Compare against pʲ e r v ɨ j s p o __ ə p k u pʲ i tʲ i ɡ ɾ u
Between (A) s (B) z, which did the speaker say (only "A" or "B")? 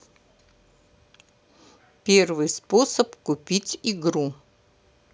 A